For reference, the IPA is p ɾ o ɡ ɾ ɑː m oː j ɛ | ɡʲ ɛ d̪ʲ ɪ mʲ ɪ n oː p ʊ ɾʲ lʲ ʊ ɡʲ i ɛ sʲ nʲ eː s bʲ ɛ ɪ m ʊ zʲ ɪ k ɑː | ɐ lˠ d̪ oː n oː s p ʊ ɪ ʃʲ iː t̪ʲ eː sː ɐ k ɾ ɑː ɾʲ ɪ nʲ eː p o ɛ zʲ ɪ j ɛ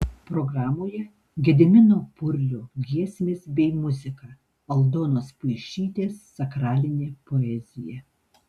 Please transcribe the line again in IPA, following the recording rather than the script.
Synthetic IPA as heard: p ɾ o ɡ ɾ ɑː m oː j ɛ | ɡʲ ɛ d̪ʲ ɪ mʲ ɪ n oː p ʊ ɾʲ lʲ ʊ ɡʲ i ɛ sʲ mʲ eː s bʲ ɛ ɪ m ʊ zʲ ɪ k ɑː | ɐ lˠ d̪ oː n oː s p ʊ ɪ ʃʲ iː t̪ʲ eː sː ɐ k ɾ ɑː lʲ ɪ nʲ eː p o ɛ zʲ ɪ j ɛ

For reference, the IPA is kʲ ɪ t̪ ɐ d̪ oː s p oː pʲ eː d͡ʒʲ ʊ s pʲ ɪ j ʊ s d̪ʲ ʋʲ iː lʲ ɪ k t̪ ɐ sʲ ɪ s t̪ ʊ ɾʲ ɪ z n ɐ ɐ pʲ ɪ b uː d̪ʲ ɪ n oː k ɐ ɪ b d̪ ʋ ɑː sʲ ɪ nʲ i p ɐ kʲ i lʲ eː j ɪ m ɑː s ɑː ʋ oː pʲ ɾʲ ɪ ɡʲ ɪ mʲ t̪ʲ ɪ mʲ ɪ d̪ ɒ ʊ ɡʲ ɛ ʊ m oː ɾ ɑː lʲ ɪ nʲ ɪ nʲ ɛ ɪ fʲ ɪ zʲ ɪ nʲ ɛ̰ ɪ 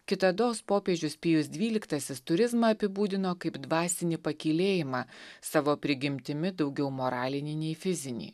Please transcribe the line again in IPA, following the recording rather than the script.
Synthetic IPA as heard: kʲ ɪ t̪ ɐ d̪ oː s p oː pʲ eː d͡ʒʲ ʊ s pʲ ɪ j ʊ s d̪ʲ ʋʲ iː lʲ ɪ k t̪ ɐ sʲ ɪ s t̪ ʊ ɾʲ ɪ z m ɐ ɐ pʲ ɪ b uː d̪ʲ ɪ n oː k ɐ ɪ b d̪ ʋ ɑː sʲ ɪ nʲ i p ɐ kʲ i lʲ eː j ɪ m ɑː s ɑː ʋ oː pʲ ɾʲ ɪ ɡʲ ɪ mʲ t̪ʲ ɪ mʲ ɪ d̪ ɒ ʊ ɡʲ ɛ ʊ m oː ɾ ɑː lʲ ɪ nʲ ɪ nʲ ɛ ɪ fʲ ɪ zʲ ɪ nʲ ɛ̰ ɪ

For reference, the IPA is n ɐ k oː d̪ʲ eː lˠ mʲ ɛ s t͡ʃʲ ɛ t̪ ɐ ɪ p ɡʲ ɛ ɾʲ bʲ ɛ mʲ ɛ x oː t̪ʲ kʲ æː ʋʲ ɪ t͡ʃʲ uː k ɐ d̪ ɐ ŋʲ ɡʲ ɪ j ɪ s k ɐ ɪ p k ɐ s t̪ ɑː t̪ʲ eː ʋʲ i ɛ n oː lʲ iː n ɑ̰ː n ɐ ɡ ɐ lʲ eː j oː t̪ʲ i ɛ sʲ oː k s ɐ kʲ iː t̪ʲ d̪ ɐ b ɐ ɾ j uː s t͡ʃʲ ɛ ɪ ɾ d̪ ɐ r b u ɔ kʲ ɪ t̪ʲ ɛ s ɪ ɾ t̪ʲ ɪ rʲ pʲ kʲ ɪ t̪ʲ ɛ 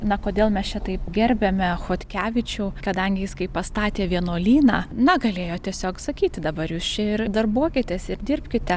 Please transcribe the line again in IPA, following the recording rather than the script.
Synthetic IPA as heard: n ɐ k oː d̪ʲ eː lˠ mʲ ɛ s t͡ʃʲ ɛ t̪ ɐ ɪ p ɡʲ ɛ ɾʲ bʲ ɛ mʲ ɛ x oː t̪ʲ kʲ æː ʋʲ ɪ t͡ʃʲ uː k ɐ d̪ ɐ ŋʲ ɡʲ ɪ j ɪ s k ɐ ɪ p p ɐ s t̪ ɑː t̪ʲ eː ʋʲ i ɛ n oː lʲ iː n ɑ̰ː n ɐ ɡ ɐ lʲ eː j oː t̪ʲ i ɛ sʲ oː k s ɐ kʲ iː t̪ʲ d̪ ɐ b ɐ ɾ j uː s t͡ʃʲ ɛ ɪ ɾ d̪ ɐ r b u ɔ kʲ ɪ t̪ʲ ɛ s ɪ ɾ d̪ʲ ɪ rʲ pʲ kʲ ɪ t̪ʲ ɛ

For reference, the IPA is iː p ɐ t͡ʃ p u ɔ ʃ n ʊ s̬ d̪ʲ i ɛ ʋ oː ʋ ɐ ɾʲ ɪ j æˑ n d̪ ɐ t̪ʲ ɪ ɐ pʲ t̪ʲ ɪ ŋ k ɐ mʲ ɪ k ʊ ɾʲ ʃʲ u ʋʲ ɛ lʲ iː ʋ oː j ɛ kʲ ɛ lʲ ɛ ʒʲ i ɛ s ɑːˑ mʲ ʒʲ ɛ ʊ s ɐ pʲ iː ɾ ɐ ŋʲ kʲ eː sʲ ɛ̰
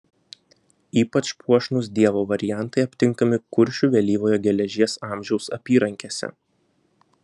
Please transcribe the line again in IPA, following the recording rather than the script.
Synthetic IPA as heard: iː p ɐ t͡ʃ p u ɔ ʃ n ʊ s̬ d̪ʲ i ɛ ʋ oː ʋ ɐ ɾʲ ɪ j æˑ n t̪ ɐ ɪ ɐ pʲ t̪ʲ ɪ ŋ k ɐ mʲ ɪ k ʊ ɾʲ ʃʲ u ʋʲ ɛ lʲ iː ʋ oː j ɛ ɡʲ ɛ lʲ ɛ ʒʲ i ɛ s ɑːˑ mʲ ʒʲ ɛ ʊ s ɐ pʲ iː ɾ ɐ ŋʲ kʲ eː sʲ ɛ̰

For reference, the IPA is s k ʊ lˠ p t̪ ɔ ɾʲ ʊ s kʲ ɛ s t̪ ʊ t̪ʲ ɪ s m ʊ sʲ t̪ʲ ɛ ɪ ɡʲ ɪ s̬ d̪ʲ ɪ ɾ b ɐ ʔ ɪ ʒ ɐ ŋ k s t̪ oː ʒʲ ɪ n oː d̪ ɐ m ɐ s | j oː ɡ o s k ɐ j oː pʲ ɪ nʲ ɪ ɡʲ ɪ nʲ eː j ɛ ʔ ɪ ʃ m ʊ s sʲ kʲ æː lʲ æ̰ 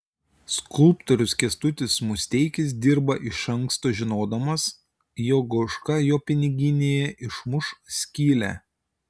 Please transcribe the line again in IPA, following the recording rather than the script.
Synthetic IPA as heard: s k ʊ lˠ p t̪ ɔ ɾʲ ʊ s kʲ ɛ s t̪ ʊ t̪ʲ ɪ s m ʊ sʲ t̪ʲ ɛ ɪ kʲ ɪ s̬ d̪ʲ ɪ ɾ b ɐ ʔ ɪ ʃ ɐ ŋ k s t̪ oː ʒʲ ɪ n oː d̪ ɐ m ɐ s | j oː ɡ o ʃ k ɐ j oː pʲ ɪ nʲ ɪ ɡʲ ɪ nʲ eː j ɛ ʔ ɪ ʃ m ʊ ʃ sʲ kʲ iː lʲ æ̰

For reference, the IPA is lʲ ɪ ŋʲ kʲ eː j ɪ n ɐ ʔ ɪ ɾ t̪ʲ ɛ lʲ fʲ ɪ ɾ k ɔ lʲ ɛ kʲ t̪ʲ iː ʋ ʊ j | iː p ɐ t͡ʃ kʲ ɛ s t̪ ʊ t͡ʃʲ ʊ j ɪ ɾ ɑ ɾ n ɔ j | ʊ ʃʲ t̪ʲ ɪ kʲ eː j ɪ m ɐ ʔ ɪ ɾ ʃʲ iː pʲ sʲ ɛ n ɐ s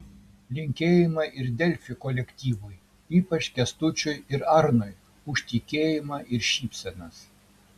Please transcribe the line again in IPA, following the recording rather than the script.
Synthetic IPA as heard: lʲ ɪ ŋʲ kʲ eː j ɪ m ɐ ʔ ɪ ɾ d̪ʲ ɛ lʲ fʲ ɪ k ɔ lʲ ɛ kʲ t̪ʲ iː ʋ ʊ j | iː p ɐ t͡ʃ kʲ ɛ s t̪ ʊ t͡ʃʲ ʊ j ɪ ɾ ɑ ɾ n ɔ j | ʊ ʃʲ t̪ʲ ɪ kʲ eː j ɪ m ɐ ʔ ɪ ɾ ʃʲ iː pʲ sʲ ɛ n ɐ s

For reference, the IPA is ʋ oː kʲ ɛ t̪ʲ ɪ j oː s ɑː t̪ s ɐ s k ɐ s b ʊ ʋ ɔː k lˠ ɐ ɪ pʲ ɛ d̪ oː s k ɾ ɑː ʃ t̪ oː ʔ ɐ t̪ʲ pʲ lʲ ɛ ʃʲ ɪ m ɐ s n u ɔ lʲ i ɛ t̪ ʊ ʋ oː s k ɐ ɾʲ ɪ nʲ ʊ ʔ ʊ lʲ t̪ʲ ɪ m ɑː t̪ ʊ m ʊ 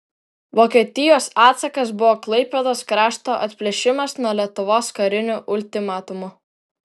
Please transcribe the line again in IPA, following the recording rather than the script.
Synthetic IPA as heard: ʋ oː kʲ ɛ t̪ʲ ɪ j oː s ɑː t̪ s ɐ k ɐ s b ʊ ʋ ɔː k lˠ ɐ ɪ pʲ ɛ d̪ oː s k ɾ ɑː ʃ t̪ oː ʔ ɐ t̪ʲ pʲ lʲ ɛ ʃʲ ɪ m ɐ s n u ɔ lʲ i ɛ t̪ ʊ ʋ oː s k ɐ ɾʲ ɪ nʲ ʊ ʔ ʊ lʲ t̪ʲ ɪ m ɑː t̪ ʊ m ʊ

